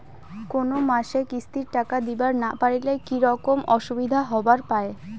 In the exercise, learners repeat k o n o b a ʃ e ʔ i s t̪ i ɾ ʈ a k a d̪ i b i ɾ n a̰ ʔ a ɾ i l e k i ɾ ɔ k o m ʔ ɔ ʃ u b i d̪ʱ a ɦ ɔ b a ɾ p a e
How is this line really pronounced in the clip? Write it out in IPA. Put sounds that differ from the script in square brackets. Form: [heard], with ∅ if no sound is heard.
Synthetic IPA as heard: k o n o [m] a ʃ e [k] i s t̪ i ɾ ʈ a k a d̪ i b [a] ɾ n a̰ [p] a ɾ i l e k i ɾ ɔ k o m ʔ ɔ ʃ u b i d̪ʱ a ɦ ɔ b a ɾ p a e